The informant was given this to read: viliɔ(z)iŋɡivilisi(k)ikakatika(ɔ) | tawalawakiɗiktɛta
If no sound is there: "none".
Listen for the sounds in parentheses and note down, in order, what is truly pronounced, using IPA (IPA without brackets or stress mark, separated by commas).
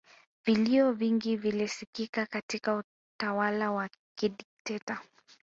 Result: v, k, u